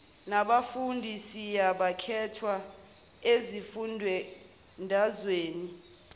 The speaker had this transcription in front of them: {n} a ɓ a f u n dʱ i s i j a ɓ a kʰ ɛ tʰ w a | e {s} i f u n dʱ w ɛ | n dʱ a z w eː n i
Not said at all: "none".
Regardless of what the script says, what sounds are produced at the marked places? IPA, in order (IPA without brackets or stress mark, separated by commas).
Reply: n, z